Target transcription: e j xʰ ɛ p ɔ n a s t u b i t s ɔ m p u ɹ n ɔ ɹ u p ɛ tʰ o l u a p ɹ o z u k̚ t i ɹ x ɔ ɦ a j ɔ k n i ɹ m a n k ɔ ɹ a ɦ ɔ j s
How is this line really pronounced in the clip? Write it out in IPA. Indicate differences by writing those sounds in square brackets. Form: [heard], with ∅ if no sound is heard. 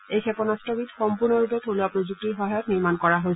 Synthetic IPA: e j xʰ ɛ p ɔ n a s t [ɔ] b i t [x] ɔ m p u ɹ n ɔ ɹ u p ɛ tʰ o l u a p ɹ o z u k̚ t i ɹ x ɔ ɦ a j ɔ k n i ɹ m a n k ɔ ɹ a ɦ [o] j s